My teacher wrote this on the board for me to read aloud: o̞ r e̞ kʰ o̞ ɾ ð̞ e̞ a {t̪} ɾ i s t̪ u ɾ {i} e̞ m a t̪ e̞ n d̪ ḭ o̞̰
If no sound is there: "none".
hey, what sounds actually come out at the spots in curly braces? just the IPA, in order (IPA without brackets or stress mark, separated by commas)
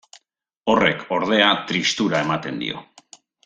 t̪, a